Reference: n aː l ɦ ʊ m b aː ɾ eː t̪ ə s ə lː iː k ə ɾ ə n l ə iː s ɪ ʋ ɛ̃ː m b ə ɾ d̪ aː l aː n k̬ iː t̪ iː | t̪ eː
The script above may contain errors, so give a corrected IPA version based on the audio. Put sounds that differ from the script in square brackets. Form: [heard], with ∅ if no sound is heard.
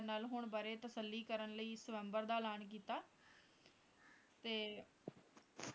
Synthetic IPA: n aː l ɦ ʊ [ɳ] b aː ɾ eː t̪ ə s ə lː iː k ə ɾ ə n l ə iː s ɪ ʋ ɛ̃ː m b ə ɾ d̪ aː l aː n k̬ iː t̪ [aː] | t̪ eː